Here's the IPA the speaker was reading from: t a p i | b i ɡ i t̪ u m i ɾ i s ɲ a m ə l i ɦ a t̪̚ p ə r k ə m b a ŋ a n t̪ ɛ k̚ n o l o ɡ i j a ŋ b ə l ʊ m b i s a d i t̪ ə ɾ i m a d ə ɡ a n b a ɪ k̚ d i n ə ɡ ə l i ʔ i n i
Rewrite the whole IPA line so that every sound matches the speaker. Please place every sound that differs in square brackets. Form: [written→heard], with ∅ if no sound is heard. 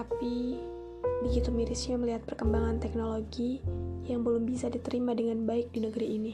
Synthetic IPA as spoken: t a p i | b i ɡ i t̪ u m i ɾ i s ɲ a m ə l i ɦ a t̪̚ p ə r k ə m b a ŋ a n t̪ ɛ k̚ n o l o ɡ i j a ŋ b ə l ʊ m b i s a d i t̪ ə ɾ i m a d ə [ɡ→ŋ] a n b a ɪ k̚ d i n ə ɡ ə [l→ɾ] i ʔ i n i